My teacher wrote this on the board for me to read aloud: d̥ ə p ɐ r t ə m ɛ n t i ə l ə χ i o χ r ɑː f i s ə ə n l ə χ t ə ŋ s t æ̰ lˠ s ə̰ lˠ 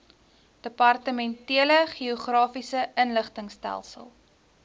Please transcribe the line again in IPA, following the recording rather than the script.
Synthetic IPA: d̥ ə p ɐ r t ə m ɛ n t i ə l ə χ i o χ r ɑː f i s ə ə n l ə χ t ə ŋ s t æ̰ lˠ s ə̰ lˠ